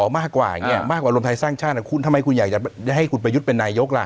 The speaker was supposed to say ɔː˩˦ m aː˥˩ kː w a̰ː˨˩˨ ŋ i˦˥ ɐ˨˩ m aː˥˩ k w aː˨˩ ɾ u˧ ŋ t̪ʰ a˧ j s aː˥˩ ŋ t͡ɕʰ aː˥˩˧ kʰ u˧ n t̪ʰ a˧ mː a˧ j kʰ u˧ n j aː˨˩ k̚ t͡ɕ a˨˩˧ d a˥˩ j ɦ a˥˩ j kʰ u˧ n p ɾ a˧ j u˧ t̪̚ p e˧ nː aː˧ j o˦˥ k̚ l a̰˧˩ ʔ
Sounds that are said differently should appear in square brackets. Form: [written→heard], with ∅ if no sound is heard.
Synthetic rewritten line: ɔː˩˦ m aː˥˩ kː w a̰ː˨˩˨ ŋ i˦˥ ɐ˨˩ m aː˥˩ k w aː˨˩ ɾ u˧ [ŋ→m] t̪ʰ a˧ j s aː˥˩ ŋ t͡ɕʰ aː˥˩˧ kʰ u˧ n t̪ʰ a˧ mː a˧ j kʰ u˧ n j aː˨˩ k̚ t͡ɕ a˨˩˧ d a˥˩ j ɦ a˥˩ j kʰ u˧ n p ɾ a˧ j [u˧→u˦˥] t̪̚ p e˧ nː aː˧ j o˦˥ k̚ l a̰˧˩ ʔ